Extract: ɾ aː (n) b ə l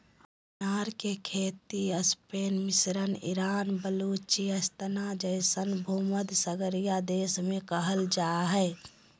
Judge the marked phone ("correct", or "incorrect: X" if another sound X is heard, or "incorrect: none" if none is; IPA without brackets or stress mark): correct